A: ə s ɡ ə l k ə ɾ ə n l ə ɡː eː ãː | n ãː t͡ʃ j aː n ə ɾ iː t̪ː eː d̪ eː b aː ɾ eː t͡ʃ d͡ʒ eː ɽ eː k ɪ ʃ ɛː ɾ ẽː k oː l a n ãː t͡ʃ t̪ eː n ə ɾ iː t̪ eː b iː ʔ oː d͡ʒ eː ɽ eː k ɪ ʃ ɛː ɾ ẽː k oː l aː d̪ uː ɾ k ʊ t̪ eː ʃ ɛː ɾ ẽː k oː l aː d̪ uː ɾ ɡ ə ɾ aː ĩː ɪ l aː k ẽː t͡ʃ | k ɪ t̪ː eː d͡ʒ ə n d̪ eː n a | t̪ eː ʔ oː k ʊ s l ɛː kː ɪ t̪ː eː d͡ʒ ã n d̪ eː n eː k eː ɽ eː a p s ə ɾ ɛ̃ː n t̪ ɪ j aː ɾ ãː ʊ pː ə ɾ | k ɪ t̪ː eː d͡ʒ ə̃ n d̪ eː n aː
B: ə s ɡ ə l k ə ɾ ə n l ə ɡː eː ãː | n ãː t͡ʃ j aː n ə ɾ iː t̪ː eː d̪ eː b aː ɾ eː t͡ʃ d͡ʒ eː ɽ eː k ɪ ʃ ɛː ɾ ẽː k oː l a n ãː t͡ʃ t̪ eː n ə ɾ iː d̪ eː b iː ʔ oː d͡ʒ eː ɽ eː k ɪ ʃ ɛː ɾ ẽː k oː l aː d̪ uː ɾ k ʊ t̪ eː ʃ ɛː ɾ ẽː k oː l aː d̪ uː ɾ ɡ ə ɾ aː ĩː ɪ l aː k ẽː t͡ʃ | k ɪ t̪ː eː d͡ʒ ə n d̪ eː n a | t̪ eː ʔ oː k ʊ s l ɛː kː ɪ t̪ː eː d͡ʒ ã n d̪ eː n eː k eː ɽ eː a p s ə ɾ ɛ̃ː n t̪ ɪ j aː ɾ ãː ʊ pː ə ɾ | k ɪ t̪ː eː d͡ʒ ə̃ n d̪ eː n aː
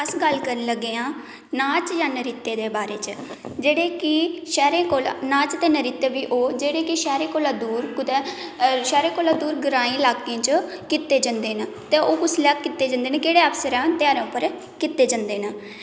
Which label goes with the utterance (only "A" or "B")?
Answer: A